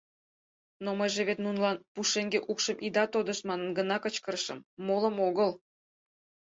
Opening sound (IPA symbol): n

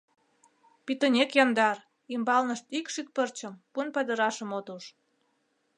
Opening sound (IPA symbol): p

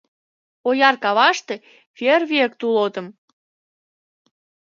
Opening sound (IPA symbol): o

